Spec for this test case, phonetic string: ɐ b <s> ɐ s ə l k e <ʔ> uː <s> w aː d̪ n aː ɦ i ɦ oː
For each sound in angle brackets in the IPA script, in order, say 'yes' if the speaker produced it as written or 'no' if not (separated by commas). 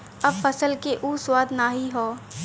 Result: no, yes, yes